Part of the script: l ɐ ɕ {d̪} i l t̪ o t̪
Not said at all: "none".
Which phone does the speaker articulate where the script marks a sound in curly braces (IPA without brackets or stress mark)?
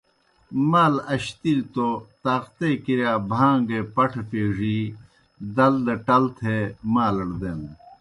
t̪